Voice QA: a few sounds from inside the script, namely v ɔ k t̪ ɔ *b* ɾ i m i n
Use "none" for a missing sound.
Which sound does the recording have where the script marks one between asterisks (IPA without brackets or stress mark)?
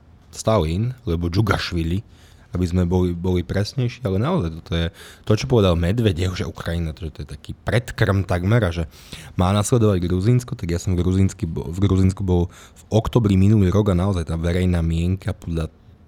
b